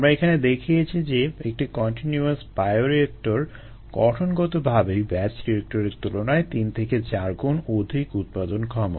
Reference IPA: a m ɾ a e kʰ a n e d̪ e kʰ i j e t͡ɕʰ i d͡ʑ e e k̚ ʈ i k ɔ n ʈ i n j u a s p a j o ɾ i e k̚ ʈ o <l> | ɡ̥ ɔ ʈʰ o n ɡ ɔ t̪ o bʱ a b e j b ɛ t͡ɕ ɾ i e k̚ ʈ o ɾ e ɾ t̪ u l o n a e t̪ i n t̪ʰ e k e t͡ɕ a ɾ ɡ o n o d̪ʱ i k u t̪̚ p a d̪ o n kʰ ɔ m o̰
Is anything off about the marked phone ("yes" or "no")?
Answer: yes